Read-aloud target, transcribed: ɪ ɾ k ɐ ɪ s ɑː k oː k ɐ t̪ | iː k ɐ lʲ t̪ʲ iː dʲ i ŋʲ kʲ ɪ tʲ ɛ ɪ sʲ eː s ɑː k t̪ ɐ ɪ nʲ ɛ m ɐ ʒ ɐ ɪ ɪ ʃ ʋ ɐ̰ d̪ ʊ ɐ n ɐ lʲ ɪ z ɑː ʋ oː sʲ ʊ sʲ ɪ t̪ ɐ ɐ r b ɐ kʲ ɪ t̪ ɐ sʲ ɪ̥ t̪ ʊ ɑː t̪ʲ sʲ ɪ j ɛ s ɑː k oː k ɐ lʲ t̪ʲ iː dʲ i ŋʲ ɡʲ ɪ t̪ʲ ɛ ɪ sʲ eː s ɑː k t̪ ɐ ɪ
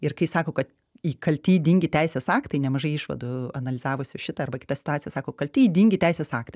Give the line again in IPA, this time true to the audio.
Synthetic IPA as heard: ɪ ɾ k ɐ ɪ s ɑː k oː k ɐ t̪ | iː k ɐ lʲ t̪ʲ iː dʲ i ŋʲ ɡʲ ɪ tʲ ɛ ɪ sʲ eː s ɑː k t̪ ɐ ɪ nʲ ɛ m ɐ ʒ ɐ ɪ ɪ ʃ ʋ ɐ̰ d̪ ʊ ɐ n ɐ lʲ ɪ z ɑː ʋ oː sʲ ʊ ʃʲ ɪ t̪ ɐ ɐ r b ɐ kʲ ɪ t̪ ɐ sʲ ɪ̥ t̪ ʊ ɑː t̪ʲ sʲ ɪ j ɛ s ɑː k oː k ɐ lʲ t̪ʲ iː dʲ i ŋʲ ɡʲ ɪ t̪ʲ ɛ ɪ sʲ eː s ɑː k t̪ ɐ ɪ

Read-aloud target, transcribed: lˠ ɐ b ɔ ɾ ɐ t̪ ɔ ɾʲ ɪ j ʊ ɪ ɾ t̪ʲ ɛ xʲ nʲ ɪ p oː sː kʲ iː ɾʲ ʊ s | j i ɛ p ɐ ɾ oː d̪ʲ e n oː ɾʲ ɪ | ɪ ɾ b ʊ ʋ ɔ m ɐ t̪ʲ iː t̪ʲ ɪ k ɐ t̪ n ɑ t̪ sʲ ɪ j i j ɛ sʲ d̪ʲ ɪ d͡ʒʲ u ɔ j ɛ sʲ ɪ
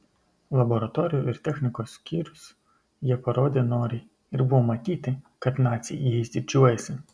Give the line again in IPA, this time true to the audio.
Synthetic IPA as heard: lˠ ɐ b ɔ ɾ ɐ t̪ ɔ ɾʲ ɪ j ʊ ɪ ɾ t̪ʲ ɛ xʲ nʲ ɪ k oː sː kʲ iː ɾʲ ʊ s | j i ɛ p ɐ ɾ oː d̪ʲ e n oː ɾʲ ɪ | ɪ ɾ b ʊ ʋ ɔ m ɐ t̪ʲ iː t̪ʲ ɪ k ɐ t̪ n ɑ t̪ sʲ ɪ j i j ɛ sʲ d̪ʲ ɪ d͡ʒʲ u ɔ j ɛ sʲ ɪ

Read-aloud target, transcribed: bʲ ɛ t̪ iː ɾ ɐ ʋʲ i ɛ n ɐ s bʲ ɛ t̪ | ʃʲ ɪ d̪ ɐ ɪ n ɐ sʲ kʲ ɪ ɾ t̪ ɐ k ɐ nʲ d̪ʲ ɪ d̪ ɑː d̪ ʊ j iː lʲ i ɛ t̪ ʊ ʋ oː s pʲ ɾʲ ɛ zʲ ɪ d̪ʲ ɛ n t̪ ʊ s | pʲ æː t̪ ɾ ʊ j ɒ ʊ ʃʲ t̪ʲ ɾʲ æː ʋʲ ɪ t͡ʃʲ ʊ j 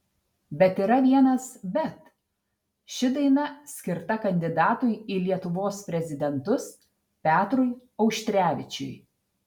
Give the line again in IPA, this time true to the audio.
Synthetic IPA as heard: bʲ ɛ t̪ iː ɾ ɐ ʋʲ i ɛ n ɐ s bʲ ɛ t̪ | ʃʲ ɪ d̪ ɐ ɪ n ɐ sʲ kʲ ɪ ɾ t̪ ɐ k ɐ nʲ d̪ʲ ɪ d̪ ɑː t̪ ʊ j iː lʲ i ɛ t̪ ʊ ʋ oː s pʲ ɾʲ ɛ zʲ ɪ d̪ʲ ɛ n t̪ ʊ s | pʲ æː t̪ ɾ ʊ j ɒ ʊ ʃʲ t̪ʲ ɾʲ æː ʋʲ ɪ t͡ʃʲ ʊ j

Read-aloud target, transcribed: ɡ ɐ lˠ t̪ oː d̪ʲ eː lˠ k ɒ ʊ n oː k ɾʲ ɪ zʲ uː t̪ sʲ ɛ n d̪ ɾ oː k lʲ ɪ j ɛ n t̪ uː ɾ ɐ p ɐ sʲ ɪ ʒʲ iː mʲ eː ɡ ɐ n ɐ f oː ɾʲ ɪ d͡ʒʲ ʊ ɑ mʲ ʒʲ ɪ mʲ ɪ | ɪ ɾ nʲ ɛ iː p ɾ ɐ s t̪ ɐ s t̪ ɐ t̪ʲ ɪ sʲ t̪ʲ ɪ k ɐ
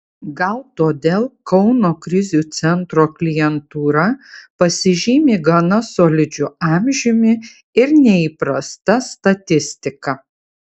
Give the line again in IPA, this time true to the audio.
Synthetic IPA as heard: ɡ ɐ lˠ t̪ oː d̪ʲ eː lˠ k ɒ ʊ n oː k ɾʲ ɪ zʲ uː t̪ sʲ ɛ n t̪ ɾ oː k lʲ ɪ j ɛ n t̪ uː ɾ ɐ p ɐ sʲ ɪ ʒʲ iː mʲ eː ɡ ɐ n ɐ s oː lʲ ɪ d͡ʒʲ ʊ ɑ mʲ ʒʲ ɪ mʲ ɪ | ɪ ɾ nʲ ɛ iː p ɾ ɐ s t̪ ɐ s t̪ ɐ t̪ʲ ɪ sʲ t̪ʲ ɪ k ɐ

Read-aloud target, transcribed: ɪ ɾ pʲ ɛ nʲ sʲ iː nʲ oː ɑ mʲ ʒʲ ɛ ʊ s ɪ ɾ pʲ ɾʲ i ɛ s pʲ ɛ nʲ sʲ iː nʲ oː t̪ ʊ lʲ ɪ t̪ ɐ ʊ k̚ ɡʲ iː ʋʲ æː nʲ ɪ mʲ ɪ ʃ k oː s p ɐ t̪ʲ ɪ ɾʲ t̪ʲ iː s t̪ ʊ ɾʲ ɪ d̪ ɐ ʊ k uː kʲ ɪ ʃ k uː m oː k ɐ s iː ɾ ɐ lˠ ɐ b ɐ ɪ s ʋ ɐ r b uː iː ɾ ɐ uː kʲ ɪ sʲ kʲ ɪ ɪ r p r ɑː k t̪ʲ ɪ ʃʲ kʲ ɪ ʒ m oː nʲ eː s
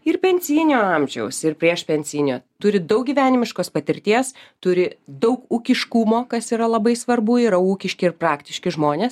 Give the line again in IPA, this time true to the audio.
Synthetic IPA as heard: ɪ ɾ pʲ ɛ nʲ sʲ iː nʲ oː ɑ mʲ ʒʲ ɛ ʊ s ɪ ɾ pʲ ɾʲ i ɛ ʃ pʲ ɛ nʲ sʲ iː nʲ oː t̪ ʊ ɾʲ ɪ d̪ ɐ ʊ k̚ ɡʲ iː ʋʲ æː nʲ ɪ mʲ ɪ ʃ k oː s p ɐ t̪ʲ ɪ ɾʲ t̪ʲ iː s t̪ ʊ ɾʲ ɪ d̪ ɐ ʊ k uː kʲ ɪ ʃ k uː m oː k ɐ s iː ɾ ɐ lˠ ɐ b ɐ ɪ s ʋ ɐ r b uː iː ɾ ɐ uː kʲ ɪ ʃʲ kʲ ɪ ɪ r p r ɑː k t̪ʲ ɪ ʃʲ kʲ ɪ ʒ m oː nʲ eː s

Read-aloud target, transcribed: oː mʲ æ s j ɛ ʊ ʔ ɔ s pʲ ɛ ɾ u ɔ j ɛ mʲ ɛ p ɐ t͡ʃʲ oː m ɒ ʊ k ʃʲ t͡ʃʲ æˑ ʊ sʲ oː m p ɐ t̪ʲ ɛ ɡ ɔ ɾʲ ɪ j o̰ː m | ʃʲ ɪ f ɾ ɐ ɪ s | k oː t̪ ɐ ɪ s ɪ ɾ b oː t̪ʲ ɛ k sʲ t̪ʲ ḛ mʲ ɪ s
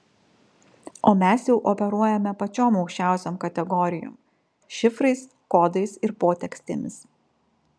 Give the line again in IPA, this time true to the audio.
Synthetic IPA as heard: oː mʲ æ s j ɛ ʊ ʔ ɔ pʲ ɛ ɾ u ɔ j ɛ mʲ ɛ p ɐ t͡ʃʲ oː m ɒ ʊ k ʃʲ t͡ʃʲ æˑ ʊ sʲ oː m k ɐ t̪ʲ ɛ ɡ ɔ ɾʲ ɪ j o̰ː m | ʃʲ ɪ f ɾ ɐ ɪ s | k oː d̪ ɐ ɪ s ɪ ɾ p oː t̪ʲ ɛ k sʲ t̪ʲ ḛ mʲ ɪ s

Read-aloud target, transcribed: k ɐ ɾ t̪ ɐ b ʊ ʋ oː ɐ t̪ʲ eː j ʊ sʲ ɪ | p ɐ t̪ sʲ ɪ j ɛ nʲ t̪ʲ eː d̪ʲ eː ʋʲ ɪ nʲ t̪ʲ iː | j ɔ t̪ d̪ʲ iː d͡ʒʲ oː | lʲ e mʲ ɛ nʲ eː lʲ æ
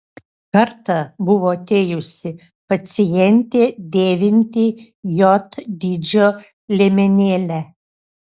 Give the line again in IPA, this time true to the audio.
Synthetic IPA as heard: k ɐ ɾ t̪ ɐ b ʊ ʋ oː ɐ t̪ʲ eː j ʊ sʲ ɪ | p ɐ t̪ sʲ ɪ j ɛ nʲ t̪ʲ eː d̪ʲ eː ʋʲ ɪ nʲ t̪ʲ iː | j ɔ t̪ d̪ʲ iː d͡ʒʲ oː | lʲ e mʲ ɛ nʲ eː lʲ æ

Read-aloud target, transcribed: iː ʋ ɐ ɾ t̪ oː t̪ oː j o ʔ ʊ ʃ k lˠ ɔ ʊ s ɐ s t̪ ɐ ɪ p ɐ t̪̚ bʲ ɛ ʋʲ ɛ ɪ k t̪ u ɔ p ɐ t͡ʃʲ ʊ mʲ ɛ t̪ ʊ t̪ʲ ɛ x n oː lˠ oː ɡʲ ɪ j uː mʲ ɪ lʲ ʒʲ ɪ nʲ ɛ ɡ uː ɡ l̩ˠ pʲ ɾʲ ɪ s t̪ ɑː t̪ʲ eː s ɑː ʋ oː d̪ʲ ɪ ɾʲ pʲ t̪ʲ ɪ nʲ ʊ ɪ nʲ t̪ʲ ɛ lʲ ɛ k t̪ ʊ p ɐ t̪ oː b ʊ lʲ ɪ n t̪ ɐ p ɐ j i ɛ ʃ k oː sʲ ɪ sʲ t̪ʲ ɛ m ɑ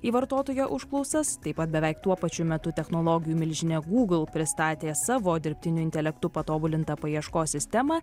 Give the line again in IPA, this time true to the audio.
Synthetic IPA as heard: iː ʋ ɐ ɾ t̪ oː t̪ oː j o ʔ ʊ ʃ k lˠ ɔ ʊ s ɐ s t̪ ɐ ɪ p ɐ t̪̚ bʲ ɛ ʋʲ ɛ ɪ k t̪ u ɔ p ɐ t͡ʃʲ ʊ mʲ ɛ t̪ ʊ t̪ʲ ɛ x n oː lˠ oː ɡʲ ɪ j uː mʲ ɪ lʲ ʒʲ ɪ nʲ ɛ ɡ uː ɡ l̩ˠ pʲ ɾʲ ɪ s t̪ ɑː t̪ʲ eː s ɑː ʋ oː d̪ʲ ɪ ɾʲ pʲ t̪ʲ ɪ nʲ ʊ ɪ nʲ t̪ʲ ɛ lʲ ɛ k t̪ ʊ p ɐ t̪ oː b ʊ lʲ ɪ n t̪ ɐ p ɐ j i ɛ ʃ k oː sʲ ɪ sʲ t̪ʲ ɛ m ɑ

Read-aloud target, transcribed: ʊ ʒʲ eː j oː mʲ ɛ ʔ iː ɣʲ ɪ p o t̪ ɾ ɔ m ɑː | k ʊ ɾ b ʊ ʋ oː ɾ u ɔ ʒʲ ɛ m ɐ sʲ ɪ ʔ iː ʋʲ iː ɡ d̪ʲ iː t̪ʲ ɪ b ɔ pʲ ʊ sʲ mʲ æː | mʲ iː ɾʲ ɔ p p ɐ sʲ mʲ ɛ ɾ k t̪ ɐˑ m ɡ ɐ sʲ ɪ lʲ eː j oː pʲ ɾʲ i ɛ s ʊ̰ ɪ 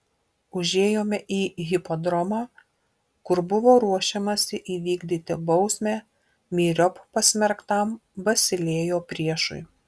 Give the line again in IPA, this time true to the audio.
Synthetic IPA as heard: ʊ ʒʲ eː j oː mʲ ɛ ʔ iː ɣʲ ɪ p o d̪ ɾ ɔ m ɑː | k ʊ ɾ b ʊ ʋ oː ɾ u ɔ ʃʲ ɛ m ɐ sʲ ɪ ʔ iː ʋʲ iː ɡ d̪ʲ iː t̪ʲ ɪ b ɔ ʊ sʲ mʲ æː | mʲ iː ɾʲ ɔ p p ɐ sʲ mʲ ɛ ɾ k t̪ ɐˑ m b ɐ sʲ ɪ lʲ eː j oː pʲ ɾʲ i ɛ ʃ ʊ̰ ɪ

